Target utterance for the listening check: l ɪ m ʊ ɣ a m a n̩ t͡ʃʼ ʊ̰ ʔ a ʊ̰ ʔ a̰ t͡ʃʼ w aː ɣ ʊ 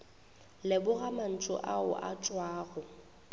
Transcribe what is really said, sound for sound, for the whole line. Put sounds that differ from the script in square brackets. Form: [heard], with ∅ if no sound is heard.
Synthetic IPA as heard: l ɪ [b] ʊ ɣ a m a n̩ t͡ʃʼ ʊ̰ ʔ a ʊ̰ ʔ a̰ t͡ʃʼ w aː ɣ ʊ